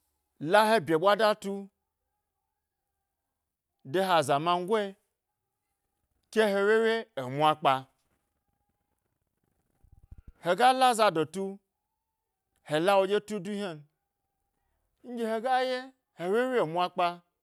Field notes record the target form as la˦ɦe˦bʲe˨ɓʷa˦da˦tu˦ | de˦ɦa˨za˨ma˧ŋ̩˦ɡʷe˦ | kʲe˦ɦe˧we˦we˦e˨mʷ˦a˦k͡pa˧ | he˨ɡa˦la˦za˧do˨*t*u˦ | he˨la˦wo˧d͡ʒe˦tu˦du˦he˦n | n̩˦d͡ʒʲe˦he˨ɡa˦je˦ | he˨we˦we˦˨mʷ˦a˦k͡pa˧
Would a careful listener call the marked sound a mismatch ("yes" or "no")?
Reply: no